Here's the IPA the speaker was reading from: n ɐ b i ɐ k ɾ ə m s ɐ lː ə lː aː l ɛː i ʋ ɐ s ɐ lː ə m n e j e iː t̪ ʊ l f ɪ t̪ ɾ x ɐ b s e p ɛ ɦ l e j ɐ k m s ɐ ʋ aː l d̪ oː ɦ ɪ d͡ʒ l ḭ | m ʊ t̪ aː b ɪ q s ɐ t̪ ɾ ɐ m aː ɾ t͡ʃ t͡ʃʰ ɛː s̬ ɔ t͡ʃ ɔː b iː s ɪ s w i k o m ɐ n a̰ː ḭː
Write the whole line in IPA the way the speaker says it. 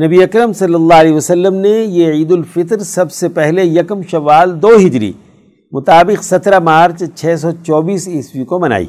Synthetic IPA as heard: n ɐ b i ɐ k ɾ ə m s ɐ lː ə lː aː l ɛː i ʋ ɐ s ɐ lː ə m n e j e iː d̪ ʊ l f ɪ t̪ ɾ s ɐ b s e p ɛ ɦ l e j ɐ k m ʃ ɐ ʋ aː l d̪ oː ɦ ɪ d͡ʒ ɾ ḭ | m ʊ t̪ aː b ɪ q s ɐ t̪ ɾ a m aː ɾ t͡ʃ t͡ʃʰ ɛː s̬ ɔ t͡ʃ ɔː b iː s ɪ s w i k o m ɐ n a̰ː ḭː